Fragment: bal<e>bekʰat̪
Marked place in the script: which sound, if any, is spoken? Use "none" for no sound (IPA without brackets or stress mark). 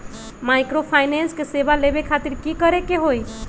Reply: e